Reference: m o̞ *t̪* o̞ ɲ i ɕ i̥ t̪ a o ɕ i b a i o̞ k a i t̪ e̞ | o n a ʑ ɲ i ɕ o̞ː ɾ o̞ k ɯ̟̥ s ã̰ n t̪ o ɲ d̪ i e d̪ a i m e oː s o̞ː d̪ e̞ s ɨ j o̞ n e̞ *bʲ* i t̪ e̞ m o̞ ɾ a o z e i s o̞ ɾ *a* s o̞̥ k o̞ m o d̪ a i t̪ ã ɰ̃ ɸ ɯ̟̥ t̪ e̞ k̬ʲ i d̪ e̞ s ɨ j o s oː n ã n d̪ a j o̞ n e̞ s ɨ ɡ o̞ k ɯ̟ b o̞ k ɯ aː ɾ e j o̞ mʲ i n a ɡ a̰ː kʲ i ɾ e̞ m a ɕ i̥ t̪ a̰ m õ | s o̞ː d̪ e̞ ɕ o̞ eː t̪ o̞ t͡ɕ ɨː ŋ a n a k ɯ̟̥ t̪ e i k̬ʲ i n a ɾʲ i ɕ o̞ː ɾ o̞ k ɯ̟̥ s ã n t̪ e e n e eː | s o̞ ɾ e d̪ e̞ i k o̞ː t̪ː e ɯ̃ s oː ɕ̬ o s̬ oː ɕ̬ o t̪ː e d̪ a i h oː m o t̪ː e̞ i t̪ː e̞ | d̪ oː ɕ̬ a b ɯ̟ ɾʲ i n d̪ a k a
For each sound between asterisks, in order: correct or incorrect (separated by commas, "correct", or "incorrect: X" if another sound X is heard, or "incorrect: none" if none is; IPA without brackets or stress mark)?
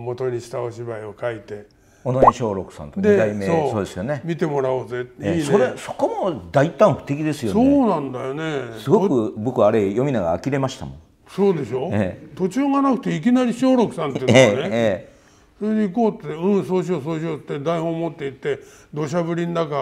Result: correct, incorrect: mʲ, incorrect: e